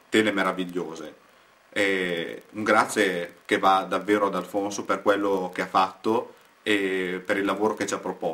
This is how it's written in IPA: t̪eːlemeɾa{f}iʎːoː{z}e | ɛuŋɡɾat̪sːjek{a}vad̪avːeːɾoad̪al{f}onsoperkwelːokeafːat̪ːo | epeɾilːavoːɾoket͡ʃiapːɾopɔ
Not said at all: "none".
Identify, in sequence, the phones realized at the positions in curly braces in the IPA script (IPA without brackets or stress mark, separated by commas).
v, z, e, f